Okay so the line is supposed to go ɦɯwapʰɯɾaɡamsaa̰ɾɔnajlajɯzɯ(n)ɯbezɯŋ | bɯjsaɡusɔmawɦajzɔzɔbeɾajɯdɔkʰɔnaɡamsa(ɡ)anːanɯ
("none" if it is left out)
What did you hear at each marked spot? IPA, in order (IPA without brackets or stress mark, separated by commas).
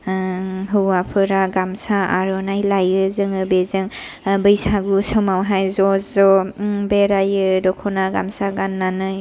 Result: ŋ, ɡ